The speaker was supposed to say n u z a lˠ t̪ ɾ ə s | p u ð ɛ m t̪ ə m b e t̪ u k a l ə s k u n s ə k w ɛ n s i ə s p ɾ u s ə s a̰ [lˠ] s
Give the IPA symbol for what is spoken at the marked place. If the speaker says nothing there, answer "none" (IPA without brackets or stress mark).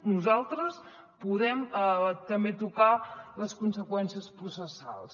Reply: lˠ